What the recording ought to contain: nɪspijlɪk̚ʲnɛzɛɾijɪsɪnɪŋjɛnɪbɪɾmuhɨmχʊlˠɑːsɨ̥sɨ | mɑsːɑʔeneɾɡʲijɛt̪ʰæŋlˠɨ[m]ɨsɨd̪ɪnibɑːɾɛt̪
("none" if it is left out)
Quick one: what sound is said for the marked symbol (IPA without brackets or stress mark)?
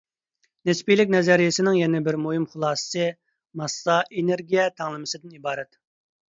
m